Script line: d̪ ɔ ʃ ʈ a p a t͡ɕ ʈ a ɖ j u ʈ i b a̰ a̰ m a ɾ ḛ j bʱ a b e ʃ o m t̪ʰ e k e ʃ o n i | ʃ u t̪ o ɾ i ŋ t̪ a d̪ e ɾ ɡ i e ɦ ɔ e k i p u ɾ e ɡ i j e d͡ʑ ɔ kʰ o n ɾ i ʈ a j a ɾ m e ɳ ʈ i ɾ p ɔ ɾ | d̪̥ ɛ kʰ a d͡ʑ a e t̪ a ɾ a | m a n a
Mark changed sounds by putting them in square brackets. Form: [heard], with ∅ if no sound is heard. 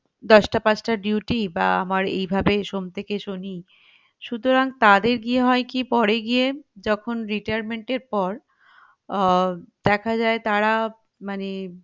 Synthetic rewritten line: d̪ ɔ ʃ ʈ a p a t͡ɕ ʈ a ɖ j u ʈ i b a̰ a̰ m a ɾ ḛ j bʱ a b e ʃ o m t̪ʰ e k e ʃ o n i | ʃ u t̪ o ɾ [a] ŋ t̪ a d̪ e ɾ ɡ i e ɦ ɔ e k i p [ɔ] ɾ e ɡ i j e d͡ʑ ɔ kʰ o n ɾ i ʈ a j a ɾ m e ɳ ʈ [e] ɾ p ɔ ɾ | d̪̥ ɛ kʰ a d͡ʑ a e t̪ a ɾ a | m a n [e]